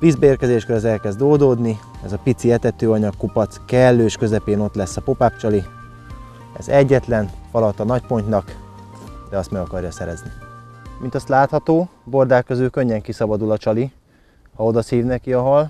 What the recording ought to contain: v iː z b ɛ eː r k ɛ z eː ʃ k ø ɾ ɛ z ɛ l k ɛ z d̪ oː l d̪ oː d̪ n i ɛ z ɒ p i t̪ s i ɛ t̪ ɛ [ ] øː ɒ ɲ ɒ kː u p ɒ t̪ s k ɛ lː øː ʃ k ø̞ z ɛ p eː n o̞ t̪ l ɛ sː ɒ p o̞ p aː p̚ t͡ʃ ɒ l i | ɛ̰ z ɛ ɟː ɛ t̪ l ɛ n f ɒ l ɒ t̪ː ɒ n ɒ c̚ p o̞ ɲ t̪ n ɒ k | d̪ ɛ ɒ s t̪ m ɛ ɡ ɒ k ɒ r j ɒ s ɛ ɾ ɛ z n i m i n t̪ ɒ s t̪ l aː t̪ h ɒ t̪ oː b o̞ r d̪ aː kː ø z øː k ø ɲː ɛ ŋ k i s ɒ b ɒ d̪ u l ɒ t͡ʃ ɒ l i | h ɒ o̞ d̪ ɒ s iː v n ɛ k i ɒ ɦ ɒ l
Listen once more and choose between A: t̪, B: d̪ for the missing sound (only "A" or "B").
A